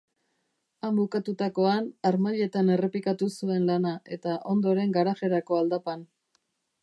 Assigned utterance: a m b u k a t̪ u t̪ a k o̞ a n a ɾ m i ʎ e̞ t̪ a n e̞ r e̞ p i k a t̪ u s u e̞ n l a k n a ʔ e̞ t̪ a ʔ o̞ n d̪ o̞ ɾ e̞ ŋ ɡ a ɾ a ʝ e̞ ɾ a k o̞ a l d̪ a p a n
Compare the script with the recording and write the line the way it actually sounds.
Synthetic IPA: a m b u k a t̪ u t̪ a k o̞ a n a ɾ m a ʎ e̞ t̪ a n e̞ r e̞ p i k a t̪ u s u e̞ n l a n a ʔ e̞ t̪ a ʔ o̞ n d̪ o̞ ɾ e̞ ŋ ɡ a ɾ a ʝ e̞ ɾ a k o̞ a l d̪ a p a n